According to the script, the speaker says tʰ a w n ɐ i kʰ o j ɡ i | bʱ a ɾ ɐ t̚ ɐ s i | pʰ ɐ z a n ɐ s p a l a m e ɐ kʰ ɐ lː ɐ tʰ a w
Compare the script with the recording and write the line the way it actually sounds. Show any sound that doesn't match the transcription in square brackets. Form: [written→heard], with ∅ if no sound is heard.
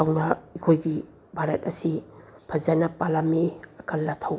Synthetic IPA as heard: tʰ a w n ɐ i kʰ o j ɡ i | bʱ a ɾ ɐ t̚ ɐ s i | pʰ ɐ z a n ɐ [s→∅] p a l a m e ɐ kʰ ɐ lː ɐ tʰ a w